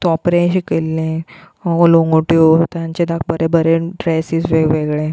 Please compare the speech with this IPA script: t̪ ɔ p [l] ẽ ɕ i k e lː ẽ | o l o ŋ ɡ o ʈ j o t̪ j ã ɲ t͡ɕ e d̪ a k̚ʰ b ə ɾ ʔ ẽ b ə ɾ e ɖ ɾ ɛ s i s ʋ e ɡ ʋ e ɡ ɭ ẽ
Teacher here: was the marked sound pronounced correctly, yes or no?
no